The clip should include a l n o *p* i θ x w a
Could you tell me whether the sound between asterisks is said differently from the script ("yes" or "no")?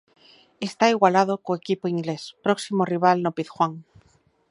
no